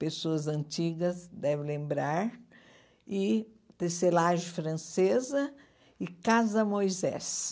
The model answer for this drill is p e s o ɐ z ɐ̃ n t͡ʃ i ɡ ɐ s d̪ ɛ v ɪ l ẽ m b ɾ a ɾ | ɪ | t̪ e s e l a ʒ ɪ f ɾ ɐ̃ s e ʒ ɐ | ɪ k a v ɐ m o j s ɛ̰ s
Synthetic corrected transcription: p e s o ɐ z ɐ̃ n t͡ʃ i ɡ ɐ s d̪ ɛ v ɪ l ẽ m b ɾ a ɾ | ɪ | t̪ e s e l a ʒ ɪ f ɾ ɐ̃ s e z ɐ | ɪ k a z ɐ m o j z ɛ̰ s